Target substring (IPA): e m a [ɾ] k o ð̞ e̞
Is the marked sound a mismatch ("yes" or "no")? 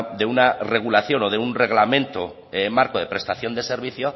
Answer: no